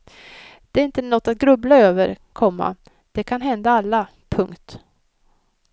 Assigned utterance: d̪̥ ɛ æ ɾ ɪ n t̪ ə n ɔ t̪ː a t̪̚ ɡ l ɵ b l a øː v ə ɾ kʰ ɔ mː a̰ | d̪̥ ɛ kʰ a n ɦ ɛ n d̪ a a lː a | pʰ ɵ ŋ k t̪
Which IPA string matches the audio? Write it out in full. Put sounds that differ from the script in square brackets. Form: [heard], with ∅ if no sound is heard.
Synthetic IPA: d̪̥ ɛ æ ɾ ɪ n t̪ ə n ɔ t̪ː a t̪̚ ɡ [ɾ] ɵ b l a øː v ə ɾ kʰ ɔ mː a̰ | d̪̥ ɛ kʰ a n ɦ ɛ n d̪ a a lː a | pʰ ɵ ŋ k t̪